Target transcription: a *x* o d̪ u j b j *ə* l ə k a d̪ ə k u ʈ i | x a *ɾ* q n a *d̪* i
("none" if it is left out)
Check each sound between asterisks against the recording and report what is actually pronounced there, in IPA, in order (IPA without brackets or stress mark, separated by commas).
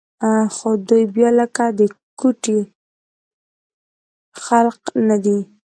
x, ɑ, l, d̪